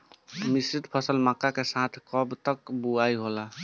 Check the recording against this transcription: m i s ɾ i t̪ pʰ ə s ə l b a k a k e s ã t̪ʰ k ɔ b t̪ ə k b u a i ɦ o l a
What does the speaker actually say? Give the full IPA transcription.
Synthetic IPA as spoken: m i s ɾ i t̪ pʰ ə s ə l m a k a k e s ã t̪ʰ k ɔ b t̪ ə k b u a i ɦ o l a